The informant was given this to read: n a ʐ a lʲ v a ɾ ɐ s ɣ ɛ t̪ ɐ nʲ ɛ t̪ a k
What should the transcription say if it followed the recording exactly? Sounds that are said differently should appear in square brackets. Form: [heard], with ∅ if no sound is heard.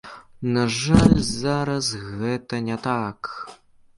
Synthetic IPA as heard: n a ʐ a lʲ [z] a ɾ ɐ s ɣ ɛ t̪ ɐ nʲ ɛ t̪ a k